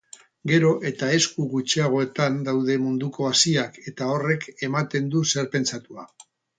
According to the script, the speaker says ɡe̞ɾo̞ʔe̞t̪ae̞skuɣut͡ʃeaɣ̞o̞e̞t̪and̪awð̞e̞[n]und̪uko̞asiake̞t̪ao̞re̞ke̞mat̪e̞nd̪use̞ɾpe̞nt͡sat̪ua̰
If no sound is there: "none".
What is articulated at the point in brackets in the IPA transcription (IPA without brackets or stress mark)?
m